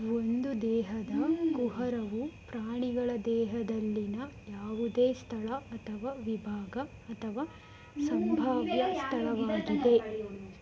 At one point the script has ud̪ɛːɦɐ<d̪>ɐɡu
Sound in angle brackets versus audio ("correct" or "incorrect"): correct